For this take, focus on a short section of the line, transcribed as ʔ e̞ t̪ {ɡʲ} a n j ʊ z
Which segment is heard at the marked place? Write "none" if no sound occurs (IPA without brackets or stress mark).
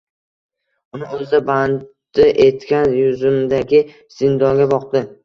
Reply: kʲ